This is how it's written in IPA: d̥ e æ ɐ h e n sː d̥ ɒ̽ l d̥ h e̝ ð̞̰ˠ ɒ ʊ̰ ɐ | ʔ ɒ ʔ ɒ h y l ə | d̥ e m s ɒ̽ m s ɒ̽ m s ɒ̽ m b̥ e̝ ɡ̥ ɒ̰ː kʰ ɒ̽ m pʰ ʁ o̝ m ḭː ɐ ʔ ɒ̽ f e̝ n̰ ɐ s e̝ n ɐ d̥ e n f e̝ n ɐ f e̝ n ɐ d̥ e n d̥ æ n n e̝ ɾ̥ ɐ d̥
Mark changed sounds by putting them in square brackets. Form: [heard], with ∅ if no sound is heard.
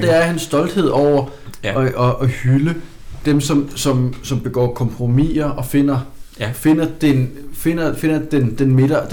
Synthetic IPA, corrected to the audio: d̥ e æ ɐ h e n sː d̥ ɒ̽ l d̥ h e̝ ð̞̰ˠ ɒ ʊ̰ ɐ | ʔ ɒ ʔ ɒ h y l ə | d̥ e m s ɒ̽ m s ɒ̽ m s ɒ̽ m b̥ e̝ ɡ̥ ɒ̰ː kʰ ɒ̽ m pʰ ʁ o̝ m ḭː ɐ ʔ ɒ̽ f e̝ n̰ ɐ [f] e̝ n ɐ d̥ e n f e̝ n ɐ f e̝ n ɐ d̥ e n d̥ [e] n [m] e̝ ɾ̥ ɐ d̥